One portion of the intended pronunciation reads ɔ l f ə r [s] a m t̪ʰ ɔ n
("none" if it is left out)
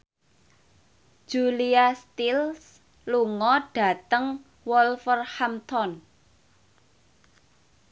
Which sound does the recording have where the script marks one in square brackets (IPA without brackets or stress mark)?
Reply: h